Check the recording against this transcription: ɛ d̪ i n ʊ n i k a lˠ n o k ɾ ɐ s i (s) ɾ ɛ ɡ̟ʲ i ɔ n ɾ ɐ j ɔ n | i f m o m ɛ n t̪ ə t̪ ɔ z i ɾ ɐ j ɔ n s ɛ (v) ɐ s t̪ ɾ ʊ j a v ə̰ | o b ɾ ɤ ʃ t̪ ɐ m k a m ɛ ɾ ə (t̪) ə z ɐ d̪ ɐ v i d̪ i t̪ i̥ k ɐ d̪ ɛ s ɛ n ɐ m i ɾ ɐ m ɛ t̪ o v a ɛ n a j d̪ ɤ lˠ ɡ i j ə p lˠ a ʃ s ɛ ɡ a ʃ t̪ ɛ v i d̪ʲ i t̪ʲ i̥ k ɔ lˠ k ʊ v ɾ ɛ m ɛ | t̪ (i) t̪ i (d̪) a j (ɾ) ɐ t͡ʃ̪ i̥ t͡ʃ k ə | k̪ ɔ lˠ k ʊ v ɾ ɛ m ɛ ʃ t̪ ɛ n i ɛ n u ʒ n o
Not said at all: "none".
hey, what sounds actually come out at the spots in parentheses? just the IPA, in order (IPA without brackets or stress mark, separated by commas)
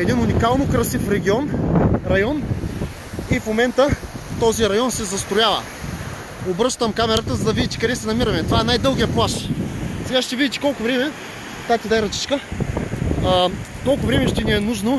f, z, t̪, a, d̪, ɾ